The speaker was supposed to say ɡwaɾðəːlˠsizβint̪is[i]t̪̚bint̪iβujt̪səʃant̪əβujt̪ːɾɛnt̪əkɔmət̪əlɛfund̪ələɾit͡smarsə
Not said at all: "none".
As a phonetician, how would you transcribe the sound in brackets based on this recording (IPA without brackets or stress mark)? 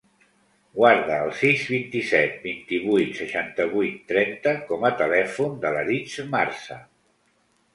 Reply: ɛ